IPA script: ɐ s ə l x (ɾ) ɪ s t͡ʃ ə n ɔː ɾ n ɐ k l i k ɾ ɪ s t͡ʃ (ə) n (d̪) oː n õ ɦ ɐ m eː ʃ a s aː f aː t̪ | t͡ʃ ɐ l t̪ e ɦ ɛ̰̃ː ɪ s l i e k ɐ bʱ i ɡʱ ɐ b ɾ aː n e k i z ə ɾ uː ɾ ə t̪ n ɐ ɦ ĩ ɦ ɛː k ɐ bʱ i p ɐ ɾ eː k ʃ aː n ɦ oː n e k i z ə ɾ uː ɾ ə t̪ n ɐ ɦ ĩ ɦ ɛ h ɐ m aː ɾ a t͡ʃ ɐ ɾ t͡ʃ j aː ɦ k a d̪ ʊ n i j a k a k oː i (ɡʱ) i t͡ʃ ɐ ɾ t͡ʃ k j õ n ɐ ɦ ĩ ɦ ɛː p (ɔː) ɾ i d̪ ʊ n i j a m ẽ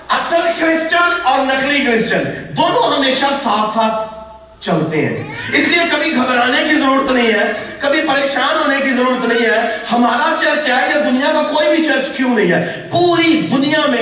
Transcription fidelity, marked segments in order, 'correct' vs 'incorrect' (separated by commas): correct, correct, correct, incorrect, incorrect